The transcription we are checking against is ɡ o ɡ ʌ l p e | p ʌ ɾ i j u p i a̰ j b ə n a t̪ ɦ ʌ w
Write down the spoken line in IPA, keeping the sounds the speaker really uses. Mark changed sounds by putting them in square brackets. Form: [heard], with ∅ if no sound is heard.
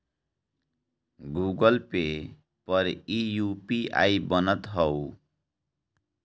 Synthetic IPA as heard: ɡ [u] ɡ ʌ l p e | p ʌ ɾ i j u p i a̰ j b [ʌ] n [ʌ] t̪ ɦ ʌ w